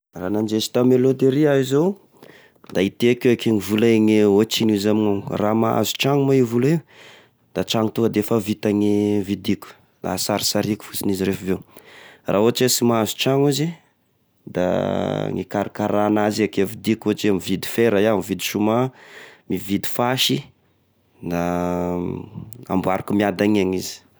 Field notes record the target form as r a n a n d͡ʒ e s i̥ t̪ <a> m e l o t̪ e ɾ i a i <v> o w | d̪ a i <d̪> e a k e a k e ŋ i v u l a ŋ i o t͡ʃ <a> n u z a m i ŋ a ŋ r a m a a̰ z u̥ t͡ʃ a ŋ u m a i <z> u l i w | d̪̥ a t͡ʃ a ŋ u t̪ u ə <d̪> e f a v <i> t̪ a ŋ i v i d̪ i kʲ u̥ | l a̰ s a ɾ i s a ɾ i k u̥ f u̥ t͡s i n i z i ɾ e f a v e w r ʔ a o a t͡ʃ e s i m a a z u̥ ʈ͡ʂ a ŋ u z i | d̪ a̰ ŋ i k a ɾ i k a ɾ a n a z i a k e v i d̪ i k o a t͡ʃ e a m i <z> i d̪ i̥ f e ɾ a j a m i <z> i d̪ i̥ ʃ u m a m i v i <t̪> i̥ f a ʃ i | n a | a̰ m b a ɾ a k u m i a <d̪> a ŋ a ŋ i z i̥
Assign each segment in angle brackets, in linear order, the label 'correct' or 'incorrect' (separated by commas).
correct, incorrect, incorrect, incorrect, incorrect, correct, correct, incorrect, incorrect, incorrect, correct